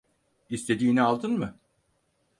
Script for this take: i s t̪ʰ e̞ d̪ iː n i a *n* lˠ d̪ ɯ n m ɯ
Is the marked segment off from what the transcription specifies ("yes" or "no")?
yes